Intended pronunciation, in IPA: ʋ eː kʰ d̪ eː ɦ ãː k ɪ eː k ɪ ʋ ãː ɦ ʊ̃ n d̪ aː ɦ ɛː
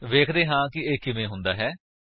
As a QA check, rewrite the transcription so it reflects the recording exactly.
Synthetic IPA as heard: ʋ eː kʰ d̪ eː ɦ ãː k ɪ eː k ɪ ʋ ẽː ɦ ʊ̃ n d̪ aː ɦ ɛː